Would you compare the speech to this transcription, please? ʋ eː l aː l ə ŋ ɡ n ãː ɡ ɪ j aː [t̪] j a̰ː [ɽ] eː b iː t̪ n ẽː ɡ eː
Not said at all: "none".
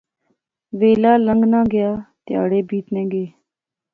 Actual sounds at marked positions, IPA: t̪, ɽ

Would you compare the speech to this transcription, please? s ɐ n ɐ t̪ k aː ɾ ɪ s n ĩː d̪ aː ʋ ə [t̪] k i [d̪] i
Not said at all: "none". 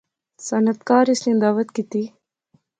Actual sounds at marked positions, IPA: t̪, t̪

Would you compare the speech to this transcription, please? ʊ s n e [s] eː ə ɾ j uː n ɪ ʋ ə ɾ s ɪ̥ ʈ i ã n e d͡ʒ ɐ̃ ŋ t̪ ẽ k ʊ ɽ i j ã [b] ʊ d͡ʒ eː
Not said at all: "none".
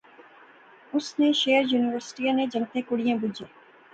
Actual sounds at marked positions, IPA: ʃ, b

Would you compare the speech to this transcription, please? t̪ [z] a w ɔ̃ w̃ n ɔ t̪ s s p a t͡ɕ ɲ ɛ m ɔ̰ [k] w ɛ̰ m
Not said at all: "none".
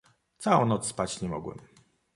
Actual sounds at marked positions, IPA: s, ɡ

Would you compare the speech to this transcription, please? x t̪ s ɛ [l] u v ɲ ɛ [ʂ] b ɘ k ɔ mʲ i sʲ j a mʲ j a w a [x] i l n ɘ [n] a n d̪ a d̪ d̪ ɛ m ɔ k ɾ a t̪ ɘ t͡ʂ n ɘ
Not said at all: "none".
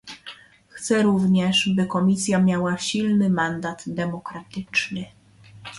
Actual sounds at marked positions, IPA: ɾ, ʂ, ɕ, m

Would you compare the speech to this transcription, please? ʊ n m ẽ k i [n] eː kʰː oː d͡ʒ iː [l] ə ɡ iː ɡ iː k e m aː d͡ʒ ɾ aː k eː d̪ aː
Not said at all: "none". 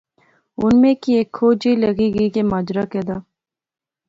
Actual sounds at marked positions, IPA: none, l

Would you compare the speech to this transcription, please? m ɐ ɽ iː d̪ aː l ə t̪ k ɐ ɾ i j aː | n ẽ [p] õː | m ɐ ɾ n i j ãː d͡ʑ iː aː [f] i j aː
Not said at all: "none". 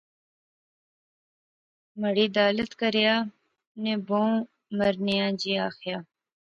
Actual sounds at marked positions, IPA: b, x

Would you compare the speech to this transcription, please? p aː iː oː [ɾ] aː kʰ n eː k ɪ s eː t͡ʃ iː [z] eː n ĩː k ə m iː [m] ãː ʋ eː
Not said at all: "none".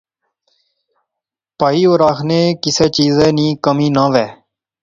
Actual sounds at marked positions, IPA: ɾ, z, n

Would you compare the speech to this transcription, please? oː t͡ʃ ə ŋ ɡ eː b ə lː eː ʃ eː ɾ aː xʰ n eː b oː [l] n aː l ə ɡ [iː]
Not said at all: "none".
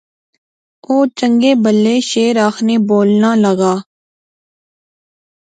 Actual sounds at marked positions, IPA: l, aː

